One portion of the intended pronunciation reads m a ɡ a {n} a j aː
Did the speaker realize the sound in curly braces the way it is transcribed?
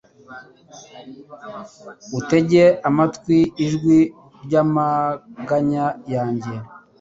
no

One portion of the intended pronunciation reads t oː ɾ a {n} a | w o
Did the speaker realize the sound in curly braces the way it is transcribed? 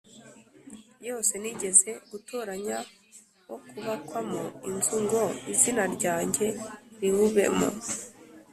no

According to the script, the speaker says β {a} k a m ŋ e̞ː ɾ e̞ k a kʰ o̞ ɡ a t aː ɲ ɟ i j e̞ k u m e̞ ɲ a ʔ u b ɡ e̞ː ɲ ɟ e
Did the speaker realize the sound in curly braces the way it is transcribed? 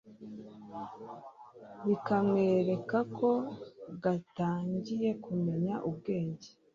no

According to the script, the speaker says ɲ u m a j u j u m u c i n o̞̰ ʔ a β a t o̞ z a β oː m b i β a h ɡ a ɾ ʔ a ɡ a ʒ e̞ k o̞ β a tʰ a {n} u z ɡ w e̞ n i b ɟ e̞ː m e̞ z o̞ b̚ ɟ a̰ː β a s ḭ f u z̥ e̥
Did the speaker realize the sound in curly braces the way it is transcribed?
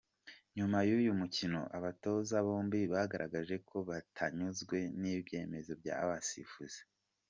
no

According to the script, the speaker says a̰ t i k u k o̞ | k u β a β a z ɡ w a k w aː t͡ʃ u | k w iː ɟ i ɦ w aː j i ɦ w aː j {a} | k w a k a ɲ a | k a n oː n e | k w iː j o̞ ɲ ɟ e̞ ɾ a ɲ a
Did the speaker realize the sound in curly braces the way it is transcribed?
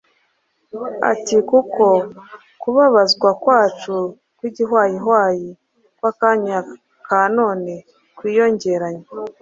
no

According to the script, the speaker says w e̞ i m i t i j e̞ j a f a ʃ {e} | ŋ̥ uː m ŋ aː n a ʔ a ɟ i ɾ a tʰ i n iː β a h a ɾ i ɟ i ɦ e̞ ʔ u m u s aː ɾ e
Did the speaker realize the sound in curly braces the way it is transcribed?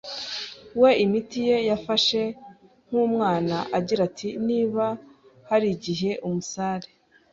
yes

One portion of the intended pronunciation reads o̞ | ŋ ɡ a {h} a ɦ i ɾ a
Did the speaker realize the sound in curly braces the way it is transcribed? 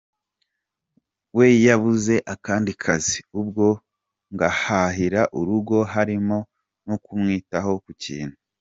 yes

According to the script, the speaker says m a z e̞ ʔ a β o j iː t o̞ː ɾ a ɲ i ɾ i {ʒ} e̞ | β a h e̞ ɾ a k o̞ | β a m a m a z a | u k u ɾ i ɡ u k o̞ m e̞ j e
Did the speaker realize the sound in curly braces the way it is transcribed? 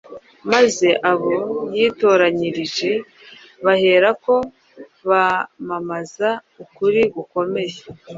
yes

